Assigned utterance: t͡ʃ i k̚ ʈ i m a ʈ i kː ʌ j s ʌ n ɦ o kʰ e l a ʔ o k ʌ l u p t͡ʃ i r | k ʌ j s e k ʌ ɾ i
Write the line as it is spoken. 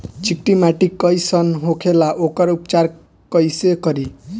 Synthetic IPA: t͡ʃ i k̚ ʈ i m a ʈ i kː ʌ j s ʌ n ɦ o kʰ e l a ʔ o k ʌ ɾ u p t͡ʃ a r | k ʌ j s e k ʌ ɾ i